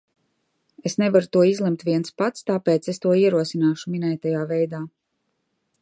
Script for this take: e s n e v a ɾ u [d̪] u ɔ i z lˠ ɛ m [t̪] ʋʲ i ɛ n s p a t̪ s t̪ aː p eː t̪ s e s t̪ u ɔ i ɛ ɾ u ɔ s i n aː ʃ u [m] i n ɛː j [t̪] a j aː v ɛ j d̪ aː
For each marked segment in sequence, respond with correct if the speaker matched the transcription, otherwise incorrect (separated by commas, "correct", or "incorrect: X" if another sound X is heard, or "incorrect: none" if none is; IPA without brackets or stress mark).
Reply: incorrect: t̪, correct, correct, correct